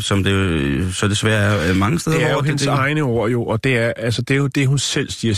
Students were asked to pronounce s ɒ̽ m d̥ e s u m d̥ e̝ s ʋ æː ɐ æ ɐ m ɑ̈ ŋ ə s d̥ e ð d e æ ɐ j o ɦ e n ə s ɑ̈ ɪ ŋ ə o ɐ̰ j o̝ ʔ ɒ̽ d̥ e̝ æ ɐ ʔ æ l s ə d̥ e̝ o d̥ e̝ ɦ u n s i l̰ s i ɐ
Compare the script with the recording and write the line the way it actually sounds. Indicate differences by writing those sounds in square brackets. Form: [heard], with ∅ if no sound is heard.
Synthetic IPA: s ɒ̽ m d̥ e s [ɒ] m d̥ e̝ s ʋ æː ɐ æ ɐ m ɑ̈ ŋ ə s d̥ e ð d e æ ɐ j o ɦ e n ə s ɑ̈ ɪ [n] ə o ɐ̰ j o̝ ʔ ɒ̽ d̥ e̝ æ ɐ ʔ æ l s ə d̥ e̝ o d̥ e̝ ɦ u n s [e] l̰ s i ɐ